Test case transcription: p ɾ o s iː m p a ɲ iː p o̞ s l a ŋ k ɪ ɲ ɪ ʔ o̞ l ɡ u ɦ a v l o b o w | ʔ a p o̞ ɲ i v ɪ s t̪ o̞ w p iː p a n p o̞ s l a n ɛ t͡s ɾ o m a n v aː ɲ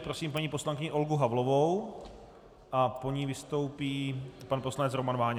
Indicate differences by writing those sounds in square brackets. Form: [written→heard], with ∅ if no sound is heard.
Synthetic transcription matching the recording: p ɾ o s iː m p a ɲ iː p o̞ s l a ŋ k ɪ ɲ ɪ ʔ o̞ l ɡ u ɦ a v l o [b→v] o w | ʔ a p o̞ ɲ i v ɪ s t̪ o̞ w p iː p a n p o̞ s l a n ɛ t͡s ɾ o m a n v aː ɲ